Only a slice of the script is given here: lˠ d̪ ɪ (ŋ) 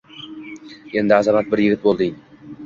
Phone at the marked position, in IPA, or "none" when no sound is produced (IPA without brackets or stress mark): ŋ